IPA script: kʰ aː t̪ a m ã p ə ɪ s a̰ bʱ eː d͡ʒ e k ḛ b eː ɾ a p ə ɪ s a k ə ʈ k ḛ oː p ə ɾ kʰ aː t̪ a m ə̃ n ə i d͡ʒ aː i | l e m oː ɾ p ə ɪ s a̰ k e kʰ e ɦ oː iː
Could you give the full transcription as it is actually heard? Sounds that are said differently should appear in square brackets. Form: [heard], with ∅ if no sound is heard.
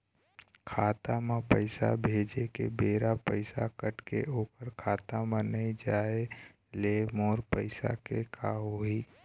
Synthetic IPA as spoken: kʰ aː t̪ a m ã p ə ɪ s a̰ bʱ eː d͡ʒ e k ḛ b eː ɾ a p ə ɪ s a k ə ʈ k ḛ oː p ə ɾ kʰ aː t̪ a m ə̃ n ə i d͡ʒ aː [e] | l e m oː ɾ p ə ɪ s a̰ k e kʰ [a] ɦ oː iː